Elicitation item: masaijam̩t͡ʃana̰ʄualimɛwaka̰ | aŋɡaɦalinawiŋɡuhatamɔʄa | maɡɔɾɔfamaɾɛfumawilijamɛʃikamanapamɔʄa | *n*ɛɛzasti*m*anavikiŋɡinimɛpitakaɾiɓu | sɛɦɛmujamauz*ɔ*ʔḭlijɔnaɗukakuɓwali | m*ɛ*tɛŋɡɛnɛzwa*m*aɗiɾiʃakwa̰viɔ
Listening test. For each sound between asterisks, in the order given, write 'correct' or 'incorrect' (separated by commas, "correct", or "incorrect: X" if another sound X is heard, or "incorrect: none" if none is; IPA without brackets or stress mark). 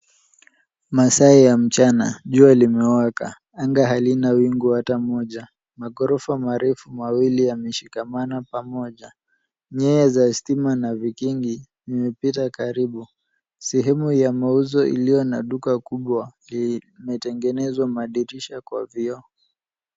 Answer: incorrect: ɲ, correct, correct, correct, correct